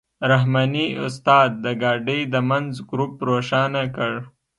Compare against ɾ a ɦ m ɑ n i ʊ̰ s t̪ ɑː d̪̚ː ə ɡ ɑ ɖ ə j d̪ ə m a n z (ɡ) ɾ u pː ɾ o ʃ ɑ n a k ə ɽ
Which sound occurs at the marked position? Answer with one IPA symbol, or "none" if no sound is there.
ɡ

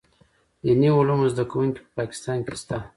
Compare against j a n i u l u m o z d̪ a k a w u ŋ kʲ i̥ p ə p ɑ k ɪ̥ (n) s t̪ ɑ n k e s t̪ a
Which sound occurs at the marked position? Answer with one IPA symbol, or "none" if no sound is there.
none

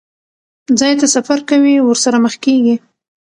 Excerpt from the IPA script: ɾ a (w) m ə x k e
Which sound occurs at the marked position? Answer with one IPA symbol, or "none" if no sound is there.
none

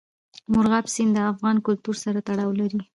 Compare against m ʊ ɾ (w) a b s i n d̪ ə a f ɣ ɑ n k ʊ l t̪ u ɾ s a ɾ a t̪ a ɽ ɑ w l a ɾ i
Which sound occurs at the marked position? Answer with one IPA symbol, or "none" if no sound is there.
ɣ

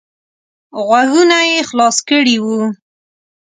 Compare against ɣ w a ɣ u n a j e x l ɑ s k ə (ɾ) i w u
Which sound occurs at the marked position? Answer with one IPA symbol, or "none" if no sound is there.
ɽ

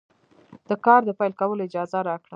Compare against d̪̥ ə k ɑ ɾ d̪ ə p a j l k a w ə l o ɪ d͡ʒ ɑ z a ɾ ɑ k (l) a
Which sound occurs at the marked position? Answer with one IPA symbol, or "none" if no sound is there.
ɽ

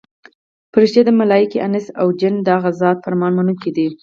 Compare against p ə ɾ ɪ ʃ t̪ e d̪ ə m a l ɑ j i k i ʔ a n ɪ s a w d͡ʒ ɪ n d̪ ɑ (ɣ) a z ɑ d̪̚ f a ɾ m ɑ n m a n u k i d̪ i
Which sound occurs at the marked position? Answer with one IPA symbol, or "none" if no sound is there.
ɣ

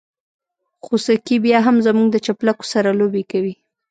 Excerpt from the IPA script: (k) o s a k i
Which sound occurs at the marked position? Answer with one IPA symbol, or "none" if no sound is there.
x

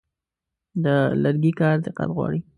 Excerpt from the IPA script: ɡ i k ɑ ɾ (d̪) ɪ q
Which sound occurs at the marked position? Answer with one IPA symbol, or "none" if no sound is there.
d̪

